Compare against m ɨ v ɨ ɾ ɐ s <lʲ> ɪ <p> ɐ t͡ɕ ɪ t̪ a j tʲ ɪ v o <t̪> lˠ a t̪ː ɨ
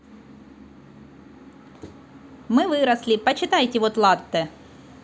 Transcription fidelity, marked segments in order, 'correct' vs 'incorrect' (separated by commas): correct, correct, correct